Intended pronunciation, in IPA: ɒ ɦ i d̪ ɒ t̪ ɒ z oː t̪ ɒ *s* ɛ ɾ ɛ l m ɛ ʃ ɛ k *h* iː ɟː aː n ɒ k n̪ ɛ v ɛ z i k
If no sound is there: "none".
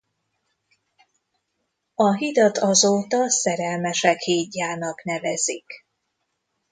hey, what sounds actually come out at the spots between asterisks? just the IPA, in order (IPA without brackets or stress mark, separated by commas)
s, h